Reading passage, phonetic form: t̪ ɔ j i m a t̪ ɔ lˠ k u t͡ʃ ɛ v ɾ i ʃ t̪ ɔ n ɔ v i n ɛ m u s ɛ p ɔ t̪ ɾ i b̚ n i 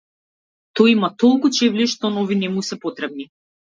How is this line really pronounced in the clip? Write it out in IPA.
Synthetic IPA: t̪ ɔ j i m a t̪ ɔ lˠ k u t͡ʃ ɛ v l i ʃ t̪ ɔ n ɔ v i n ɛ m u s ɛ p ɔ t̪ ɾ ɛ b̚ n i